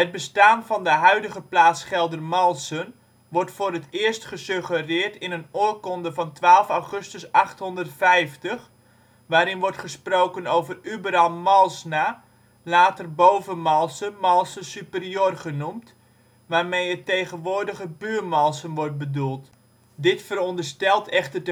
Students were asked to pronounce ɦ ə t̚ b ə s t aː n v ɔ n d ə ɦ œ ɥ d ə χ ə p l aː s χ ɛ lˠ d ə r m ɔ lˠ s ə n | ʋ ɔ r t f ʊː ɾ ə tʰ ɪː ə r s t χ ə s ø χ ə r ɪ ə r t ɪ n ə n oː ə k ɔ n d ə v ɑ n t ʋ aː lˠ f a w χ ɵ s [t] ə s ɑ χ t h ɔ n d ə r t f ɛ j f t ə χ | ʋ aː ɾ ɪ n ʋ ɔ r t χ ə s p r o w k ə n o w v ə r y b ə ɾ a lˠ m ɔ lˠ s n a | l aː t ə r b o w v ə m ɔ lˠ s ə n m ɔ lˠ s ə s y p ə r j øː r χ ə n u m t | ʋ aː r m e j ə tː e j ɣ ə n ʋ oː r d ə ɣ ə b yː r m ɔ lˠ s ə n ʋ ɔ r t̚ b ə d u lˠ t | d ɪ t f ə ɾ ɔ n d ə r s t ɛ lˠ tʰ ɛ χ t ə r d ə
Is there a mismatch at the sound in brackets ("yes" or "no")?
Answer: no